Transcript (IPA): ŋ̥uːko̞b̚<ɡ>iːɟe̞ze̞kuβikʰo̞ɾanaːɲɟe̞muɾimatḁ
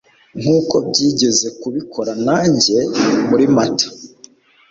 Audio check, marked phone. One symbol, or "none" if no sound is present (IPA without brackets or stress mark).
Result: ɟ